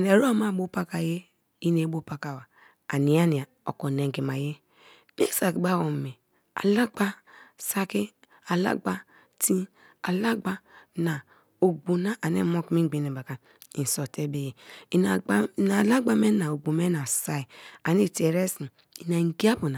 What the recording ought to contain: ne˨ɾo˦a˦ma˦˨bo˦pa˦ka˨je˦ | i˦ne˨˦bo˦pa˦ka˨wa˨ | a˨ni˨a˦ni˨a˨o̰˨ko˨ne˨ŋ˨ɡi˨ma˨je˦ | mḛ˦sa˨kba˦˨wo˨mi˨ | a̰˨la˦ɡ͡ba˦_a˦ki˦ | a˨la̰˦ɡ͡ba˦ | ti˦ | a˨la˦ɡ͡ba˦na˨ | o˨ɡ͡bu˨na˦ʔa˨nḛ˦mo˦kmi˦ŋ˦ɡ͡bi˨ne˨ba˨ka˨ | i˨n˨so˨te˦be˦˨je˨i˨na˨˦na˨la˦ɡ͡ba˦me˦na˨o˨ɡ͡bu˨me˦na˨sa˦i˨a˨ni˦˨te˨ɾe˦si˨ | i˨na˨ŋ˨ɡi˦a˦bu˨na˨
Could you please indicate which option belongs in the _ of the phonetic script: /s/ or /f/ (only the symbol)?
s